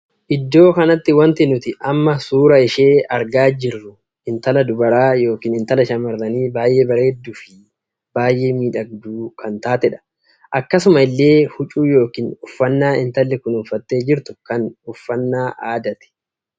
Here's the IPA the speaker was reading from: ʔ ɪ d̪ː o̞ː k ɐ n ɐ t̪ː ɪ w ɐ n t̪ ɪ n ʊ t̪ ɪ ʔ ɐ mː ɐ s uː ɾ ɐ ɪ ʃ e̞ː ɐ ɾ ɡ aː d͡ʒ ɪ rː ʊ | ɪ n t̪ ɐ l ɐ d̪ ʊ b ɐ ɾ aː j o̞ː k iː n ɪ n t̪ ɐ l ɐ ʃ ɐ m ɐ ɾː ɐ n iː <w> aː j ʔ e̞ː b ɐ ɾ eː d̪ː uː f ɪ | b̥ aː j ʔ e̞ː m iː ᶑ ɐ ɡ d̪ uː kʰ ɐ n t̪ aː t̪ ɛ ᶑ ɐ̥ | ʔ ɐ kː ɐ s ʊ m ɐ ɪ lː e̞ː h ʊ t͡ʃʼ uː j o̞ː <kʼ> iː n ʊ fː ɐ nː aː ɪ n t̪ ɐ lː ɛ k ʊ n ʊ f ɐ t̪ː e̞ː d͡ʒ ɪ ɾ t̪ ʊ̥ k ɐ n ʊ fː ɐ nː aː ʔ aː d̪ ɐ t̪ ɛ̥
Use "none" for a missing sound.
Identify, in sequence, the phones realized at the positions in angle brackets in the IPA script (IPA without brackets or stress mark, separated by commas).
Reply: b, k